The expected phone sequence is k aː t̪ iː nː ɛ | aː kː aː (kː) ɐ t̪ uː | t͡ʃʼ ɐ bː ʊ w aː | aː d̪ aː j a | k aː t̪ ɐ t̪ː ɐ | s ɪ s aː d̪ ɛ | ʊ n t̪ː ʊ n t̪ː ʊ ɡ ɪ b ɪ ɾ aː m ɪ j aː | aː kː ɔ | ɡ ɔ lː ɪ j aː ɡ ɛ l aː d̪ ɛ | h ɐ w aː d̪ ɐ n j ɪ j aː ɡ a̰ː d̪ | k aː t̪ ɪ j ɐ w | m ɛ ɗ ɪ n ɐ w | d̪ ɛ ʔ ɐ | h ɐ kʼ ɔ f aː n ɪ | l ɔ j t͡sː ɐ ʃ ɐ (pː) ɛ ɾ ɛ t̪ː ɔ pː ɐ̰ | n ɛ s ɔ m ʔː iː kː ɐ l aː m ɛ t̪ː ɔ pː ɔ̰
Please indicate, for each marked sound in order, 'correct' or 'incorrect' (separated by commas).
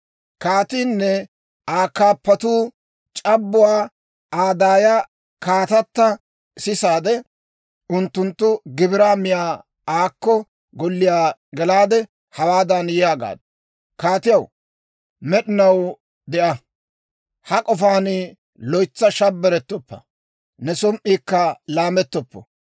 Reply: incorrect, incorrect